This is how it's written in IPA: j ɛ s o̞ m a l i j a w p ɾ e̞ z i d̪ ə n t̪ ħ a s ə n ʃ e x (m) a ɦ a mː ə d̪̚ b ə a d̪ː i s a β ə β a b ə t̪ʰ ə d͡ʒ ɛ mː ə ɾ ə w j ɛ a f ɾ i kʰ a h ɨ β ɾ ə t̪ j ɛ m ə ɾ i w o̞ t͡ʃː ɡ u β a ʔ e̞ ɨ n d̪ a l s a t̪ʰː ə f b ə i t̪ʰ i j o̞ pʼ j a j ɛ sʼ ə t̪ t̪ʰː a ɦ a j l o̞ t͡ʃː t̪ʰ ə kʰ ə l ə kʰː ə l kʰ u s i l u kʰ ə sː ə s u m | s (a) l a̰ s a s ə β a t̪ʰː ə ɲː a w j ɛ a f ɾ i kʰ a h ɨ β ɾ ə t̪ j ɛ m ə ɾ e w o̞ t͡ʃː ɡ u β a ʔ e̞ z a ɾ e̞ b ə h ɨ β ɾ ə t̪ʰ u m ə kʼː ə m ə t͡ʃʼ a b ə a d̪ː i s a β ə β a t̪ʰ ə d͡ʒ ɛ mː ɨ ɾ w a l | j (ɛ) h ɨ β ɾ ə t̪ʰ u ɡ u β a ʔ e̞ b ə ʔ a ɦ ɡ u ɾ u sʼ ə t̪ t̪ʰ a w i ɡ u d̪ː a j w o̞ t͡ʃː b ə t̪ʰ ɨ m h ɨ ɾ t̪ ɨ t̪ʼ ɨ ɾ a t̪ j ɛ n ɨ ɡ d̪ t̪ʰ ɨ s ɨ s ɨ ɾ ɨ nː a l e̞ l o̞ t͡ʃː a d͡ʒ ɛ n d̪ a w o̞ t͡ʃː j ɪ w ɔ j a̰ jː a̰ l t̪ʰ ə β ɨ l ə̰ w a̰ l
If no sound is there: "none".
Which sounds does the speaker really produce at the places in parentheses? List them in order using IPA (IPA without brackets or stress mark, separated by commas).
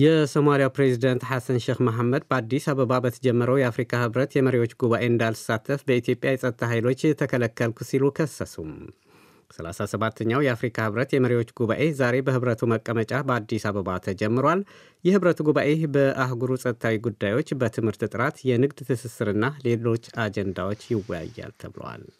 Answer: m, ə, ɛ